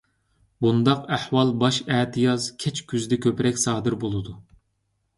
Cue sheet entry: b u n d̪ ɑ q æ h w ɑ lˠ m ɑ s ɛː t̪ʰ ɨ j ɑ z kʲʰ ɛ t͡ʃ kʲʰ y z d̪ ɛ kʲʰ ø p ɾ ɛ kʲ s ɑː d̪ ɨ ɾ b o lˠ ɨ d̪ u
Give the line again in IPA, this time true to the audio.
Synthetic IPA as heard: b u n d̪ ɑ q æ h w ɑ lˠ b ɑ ʃ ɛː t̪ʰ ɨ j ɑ z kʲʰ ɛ t͡ʃ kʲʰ y z d̪ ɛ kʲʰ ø p ɾ ɛ kʲ s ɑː d̪ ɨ ɾ b o lˠ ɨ d̪ u